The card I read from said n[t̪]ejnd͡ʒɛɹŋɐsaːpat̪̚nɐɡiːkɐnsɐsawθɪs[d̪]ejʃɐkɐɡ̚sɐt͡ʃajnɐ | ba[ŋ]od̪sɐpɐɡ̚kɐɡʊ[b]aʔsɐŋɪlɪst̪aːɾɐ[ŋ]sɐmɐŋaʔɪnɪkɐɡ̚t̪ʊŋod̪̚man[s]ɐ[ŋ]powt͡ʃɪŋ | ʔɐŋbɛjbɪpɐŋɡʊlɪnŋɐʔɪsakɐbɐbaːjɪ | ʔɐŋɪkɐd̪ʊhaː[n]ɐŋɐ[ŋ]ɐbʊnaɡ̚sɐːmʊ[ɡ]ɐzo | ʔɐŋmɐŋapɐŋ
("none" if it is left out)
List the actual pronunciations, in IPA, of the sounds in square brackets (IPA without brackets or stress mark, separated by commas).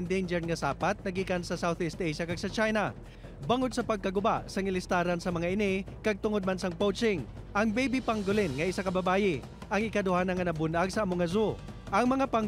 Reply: d̪, t̪, ŋ, b, n, s, ŋ, n, n, ŋ